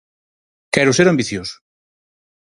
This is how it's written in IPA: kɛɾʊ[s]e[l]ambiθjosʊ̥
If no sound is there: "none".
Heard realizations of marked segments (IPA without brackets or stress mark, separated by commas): s, ɾ